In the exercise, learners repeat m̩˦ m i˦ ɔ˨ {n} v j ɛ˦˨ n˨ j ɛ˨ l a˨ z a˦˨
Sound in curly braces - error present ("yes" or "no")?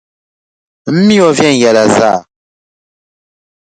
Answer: yes